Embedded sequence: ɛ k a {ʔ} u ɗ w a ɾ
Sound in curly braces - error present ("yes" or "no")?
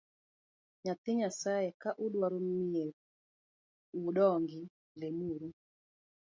no